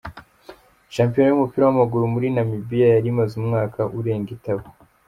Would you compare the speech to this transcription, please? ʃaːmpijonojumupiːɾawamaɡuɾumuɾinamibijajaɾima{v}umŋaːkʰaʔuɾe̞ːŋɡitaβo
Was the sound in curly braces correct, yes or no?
no